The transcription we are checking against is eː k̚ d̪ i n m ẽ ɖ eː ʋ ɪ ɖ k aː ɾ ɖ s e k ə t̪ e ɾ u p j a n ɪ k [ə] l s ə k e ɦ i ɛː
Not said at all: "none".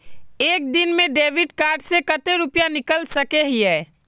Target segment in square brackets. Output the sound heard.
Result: ə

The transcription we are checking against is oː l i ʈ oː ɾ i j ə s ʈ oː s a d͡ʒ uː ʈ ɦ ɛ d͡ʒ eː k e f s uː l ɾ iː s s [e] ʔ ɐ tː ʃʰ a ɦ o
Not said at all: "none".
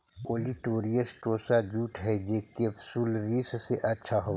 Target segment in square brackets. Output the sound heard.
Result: e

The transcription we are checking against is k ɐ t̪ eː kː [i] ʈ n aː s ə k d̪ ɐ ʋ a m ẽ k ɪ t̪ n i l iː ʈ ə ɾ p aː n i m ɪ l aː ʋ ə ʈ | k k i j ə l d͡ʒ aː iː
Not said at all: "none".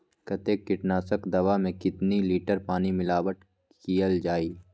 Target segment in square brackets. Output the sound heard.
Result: ɪ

